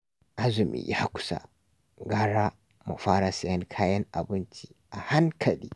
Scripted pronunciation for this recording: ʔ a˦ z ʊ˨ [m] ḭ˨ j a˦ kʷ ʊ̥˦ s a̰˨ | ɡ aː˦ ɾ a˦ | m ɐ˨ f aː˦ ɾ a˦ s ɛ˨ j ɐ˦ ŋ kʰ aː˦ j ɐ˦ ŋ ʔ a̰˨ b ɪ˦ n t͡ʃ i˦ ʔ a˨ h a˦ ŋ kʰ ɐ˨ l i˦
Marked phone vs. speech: correct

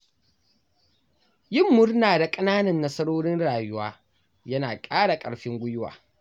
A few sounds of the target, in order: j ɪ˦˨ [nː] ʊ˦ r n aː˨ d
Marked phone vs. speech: incorrect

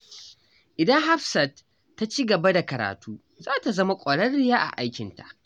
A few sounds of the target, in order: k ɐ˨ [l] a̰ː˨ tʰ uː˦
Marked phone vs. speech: incorrect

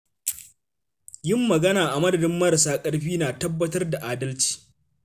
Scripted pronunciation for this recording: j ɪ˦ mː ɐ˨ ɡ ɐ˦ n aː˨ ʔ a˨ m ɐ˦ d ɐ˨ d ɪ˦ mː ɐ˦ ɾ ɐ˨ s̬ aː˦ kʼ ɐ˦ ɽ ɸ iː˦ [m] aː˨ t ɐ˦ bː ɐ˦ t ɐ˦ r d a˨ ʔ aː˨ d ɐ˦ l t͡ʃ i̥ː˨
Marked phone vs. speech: incorrect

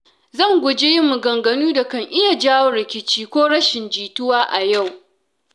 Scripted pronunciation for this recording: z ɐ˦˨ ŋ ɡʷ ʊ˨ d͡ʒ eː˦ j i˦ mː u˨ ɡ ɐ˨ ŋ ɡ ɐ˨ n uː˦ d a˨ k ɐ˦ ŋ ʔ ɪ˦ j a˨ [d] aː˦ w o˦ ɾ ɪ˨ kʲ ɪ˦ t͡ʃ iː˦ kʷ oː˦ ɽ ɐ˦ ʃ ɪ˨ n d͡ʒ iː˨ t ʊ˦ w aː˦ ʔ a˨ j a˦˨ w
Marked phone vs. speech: incorrect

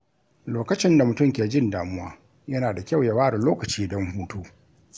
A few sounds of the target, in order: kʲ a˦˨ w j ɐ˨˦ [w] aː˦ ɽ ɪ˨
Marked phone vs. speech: correct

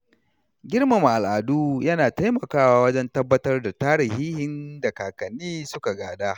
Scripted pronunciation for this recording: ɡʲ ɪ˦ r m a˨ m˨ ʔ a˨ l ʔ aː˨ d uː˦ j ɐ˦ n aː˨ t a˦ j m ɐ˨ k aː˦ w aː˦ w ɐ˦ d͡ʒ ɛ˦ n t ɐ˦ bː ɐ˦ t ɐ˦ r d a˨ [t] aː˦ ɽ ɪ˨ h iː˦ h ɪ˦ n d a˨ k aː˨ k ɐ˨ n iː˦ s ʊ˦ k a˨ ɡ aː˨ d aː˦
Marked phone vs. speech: correct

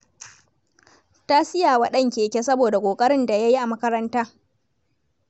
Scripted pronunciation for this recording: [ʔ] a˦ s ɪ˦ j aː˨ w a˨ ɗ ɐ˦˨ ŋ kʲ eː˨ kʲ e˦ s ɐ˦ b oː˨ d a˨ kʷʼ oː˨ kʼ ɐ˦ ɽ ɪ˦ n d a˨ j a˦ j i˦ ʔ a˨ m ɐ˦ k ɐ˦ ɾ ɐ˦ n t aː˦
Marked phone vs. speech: incorrect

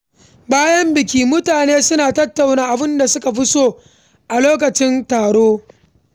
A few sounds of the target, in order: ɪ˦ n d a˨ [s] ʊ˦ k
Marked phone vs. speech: correct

